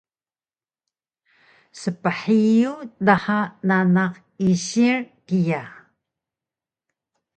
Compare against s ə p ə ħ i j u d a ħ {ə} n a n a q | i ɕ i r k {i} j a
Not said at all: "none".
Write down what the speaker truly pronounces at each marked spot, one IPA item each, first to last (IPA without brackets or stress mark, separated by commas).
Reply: a, i